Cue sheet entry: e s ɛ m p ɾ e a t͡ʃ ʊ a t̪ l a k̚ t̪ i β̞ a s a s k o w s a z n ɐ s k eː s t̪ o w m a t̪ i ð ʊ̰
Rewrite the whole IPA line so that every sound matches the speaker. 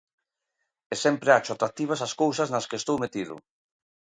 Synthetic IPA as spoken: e s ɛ m p ɾ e a t͡ʃ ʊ a t̪ ɾ a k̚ t̪ i β̞ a s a s k o w s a z n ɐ s k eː s t̪ o w m e t̪ i ð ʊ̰